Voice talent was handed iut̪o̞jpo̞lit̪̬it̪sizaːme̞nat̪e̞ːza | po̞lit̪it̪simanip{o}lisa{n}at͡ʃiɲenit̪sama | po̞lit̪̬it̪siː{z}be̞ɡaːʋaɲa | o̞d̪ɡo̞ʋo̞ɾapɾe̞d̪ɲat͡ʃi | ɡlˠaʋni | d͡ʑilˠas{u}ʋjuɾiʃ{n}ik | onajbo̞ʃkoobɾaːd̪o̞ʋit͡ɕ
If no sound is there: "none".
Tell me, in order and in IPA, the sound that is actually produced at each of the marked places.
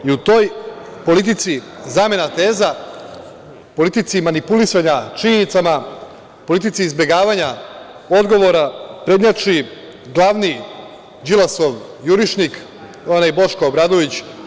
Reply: u, ɲ, z, o, n

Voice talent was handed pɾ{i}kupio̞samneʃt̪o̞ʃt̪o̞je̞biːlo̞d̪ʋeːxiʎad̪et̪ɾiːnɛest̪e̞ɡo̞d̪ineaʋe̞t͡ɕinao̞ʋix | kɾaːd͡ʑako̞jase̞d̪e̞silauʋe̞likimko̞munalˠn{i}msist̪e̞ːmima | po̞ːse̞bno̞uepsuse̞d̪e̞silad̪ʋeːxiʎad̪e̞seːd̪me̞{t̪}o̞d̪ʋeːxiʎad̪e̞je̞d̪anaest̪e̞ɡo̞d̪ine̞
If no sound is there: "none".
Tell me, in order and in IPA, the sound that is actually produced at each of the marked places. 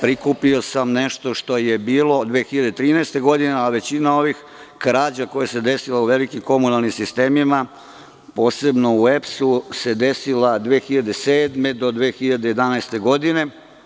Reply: i, i, d̪

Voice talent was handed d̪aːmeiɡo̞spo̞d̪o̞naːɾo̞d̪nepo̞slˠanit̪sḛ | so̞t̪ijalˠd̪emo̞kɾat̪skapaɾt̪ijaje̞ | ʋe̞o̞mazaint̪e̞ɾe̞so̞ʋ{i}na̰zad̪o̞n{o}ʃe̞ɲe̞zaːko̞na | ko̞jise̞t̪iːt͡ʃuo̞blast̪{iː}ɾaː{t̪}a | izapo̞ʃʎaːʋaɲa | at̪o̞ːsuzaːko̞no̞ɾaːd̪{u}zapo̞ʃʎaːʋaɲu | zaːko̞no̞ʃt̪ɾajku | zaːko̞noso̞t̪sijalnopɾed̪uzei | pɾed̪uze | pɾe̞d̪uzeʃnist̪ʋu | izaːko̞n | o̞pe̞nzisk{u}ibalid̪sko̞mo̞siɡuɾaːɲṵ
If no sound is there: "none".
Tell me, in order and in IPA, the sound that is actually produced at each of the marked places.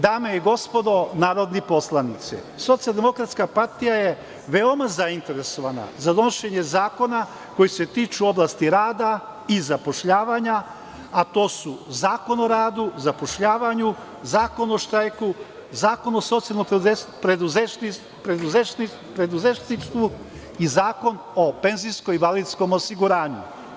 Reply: a, o, i, d̪, u, o

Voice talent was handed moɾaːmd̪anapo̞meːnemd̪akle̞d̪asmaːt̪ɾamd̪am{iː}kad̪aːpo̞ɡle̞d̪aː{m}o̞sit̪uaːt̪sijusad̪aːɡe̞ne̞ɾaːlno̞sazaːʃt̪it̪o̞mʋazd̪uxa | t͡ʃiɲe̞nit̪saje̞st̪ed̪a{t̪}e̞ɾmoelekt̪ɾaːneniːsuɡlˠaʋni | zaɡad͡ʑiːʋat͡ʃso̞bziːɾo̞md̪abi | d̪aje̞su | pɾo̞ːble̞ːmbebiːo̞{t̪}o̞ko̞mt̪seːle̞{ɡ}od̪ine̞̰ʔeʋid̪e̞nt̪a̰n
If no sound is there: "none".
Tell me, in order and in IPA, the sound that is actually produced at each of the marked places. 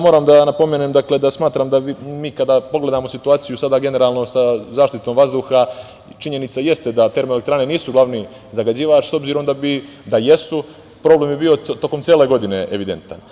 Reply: iː, m, t̪, t̪, ɡ

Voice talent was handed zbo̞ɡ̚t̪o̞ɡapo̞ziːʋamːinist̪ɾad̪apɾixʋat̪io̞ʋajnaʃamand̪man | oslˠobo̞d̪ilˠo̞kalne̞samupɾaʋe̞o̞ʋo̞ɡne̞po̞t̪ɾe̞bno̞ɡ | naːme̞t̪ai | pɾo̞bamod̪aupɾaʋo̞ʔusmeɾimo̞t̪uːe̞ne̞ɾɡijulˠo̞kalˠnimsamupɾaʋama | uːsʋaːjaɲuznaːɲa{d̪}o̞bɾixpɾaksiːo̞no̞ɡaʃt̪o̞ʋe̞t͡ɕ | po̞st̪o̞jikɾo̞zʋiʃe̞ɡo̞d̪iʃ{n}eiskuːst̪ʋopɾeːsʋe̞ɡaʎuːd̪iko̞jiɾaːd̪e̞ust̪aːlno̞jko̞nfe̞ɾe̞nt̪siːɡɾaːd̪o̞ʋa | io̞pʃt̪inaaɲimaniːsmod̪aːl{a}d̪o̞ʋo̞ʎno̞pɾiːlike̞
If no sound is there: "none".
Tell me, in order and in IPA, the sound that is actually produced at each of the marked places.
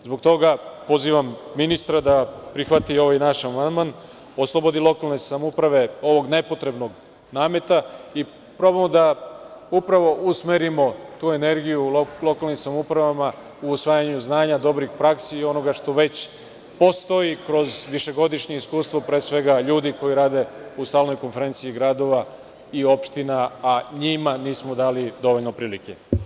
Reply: d̪, ɲ, i

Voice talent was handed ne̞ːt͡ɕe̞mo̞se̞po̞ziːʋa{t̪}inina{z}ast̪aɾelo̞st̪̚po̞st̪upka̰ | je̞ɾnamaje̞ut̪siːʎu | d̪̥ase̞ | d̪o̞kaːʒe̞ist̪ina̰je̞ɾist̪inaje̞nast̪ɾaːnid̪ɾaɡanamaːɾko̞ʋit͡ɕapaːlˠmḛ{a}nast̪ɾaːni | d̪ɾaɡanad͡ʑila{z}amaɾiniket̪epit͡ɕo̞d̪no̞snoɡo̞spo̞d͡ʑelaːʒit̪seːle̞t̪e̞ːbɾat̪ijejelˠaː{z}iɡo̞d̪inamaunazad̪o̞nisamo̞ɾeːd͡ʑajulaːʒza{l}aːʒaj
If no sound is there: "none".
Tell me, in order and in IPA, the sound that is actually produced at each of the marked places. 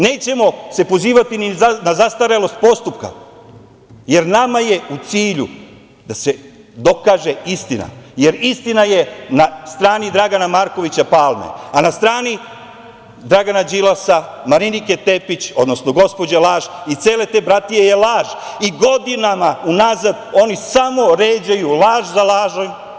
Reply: t̪, z, a, s, ʒ, l

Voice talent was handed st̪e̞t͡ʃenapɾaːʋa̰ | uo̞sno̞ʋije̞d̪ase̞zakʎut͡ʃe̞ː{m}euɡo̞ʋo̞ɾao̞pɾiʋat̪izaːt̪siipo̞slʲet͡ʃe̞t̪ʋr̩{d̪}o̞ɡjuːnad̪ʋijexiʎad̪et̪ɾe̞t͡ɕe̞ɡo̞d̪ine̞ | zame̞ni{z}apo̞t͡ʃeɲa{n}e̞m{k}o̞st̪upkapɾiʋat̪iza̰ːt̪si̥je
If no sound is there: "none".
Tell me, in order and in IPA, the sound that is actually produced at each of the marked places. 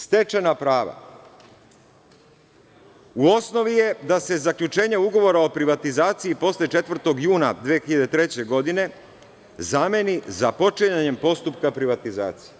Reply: ɲ, t̪, z, ɲ, p

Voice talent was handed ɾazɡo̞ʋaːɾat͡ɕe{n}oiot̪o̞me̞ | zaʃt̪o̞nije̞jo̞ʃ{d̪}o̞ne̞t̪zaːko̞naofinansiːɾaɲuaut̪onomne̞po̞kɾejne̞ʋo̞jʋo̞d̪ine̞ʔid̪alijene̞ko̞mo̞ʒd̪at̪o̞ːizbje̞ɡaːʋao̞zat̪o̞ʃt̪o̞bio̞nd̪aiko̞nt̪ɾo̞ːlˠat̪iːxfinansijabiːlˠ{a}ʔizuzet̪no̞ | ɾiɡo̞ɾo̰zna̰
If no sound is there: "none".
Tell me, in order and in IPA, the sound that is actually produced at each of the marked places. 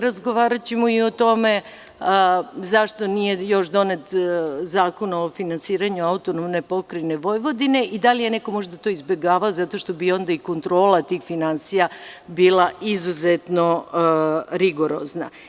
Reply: m, d̪, a

